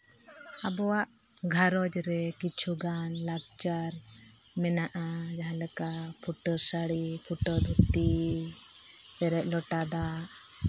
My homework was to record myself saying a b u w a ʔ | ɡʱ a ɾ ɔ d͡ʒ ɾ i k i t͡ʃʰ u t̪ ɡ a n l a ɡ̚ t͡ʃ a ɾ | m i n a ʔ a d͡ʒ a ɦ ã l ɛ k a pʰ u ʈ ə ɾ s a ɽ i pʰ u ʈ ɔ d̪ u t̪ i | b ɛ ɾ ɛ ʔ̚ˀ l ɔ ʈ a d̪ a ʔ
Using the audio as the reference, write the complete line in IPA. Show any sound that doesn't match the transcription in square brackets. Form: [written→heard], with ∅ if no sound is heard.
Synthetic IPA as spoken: a b [u→ɔ] w a ʔ | ɡʱ a ɾ ɔ d͡ʒ ɾ [i→ɛ] k i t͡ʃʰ u [t̪→∅] ɡ a n l a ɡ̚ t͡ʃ a ɾ | m [i→ɛ] n a ʔ a d͡ʒ a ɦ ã l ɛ k a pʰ u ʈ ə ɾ s a ɽ i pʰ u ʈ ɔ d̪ u t̪ i | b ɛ ɾ ɛ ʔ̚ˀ l ɔ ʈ a d̪ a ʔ